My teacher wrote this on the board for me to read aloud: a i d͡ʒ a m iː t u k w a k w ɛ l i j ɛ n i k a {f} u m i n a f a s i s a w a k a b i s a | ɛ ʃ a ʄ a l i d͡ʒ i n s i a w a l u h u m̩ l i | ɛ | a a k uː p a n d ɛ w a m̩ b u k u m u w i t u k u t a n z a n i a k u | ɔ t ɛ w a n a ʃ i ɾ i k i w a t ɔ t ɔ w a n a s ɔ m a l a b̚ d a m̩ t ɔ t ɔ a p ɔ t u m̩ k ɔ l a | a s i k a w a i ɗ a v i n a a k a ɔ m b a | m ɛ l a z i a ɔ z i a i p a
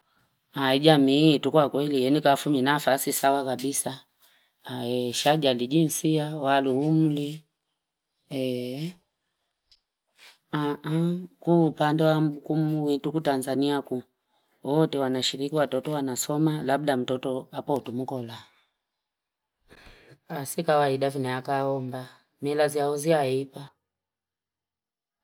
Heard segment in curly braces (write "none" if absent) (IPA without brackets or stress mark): f